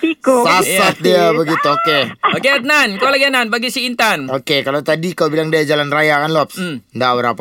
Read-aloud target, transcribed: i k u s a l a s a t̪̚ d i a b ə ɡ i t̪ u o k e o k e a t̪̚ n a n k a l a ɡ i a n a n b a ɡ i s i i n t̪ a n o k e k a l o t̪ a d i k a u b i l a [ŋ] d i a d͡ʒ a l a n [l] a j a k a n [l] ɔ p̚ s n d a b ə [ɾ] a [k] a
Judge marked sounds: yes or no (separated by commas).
yes, no, yes, yes, no